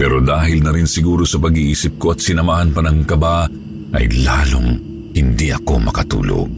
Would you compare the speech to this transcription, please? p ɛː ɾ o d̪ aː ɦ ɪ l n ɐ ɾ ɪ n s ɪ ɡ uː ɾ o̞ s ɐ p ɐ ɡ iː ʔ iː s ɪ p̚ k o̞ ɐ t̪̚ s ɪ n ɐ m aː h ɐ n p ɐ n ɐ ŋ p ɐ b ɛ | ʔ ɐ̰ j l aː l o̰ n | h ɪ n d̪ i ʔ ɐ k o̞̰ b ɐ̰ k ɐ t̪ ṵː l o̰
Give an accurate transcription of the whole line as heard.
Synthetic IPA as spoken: p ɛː ɾ o d̪ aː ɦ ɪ l n ɐ ɾ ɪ n s ɪ ɡ uː ɾ o̞ s ɐ p ɐ ɡ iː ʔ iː s ɪ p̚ k o̞ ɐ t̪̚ s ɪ n ɐ m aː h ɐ n p ɐ n ɐ ŋ k ɐ b a | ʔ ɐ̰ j l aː l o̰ ŋ | h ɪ n d̪ i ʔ ɐ k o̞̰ m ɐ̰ k ɐ t̪ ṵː l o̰